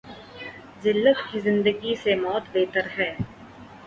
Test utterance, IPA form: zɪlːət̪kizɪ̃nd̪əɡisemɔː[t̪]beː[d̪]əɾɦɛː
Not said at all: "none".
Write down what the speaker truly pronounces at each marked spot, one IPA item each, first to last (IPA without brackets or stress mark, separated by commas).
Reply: t̪, t̪